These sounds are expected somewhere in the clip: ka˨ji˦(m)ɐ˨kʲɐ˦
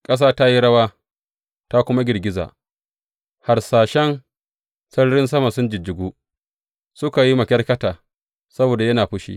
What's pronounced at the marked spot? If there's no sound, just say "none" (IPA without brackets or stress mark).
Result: m